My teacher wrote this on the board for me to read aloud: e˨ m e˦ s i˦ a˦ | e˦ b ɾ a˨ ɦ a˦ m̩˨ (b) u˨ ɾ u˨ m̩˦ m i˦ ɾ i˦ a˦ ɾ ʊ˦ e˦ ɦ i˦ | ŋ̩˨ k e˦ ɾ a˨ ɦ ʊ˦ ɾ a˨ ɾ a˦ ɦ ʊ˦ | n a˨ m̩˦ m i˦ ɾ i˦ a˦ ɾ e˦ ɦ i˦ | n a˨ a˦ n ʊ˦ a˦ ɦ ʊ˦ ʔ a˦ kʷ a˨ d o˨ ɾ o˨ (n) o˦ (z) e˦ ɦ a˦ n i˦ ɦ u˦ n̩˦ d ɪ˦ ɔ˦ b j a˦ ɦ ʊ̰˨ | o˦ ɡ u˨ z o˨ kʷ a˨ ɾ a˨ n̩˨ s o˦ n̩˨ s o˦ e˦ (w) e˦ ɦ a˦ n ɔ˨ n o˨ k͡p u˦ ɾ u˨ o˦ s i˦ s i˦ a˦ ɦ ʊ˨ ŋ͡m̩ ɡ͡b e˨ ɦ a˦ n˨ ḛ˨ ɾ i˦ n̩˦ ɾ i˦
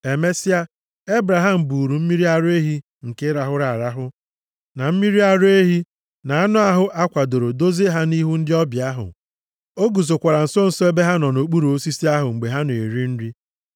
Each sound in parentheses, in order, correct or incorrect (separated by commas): correct, incorrect, correct, incorrect